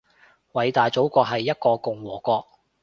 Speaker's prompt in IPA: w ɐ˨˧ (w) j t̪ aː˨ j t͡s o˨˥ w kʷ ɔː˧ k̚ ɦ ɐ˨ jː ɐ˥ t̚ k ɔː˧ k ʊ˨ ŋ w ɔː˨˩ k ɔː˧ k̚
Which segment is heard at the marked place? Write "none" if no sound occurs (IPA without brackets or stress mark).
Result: none